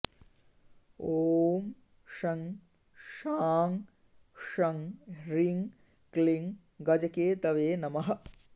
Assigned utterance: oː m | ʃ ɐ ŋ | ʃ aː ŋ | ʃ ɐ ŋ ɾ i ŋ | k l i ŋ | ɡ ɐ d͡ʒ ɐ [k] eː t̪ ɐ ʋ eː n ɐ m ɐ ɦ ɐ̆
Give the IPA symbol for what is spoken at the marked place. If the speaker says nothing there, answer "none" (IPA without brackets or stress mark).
k